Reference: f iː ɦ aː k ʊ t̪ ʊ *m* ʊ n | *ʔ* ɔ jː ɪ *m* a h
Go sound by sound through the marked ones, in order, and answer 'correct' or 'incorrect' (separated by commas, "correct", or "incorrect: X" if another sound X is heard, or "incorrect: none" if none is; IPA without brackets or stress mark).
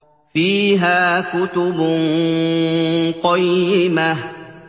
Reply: incorrect: b, incorrect: q, correct